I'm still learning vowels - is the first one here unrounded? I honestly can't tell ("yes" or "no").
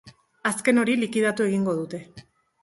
yes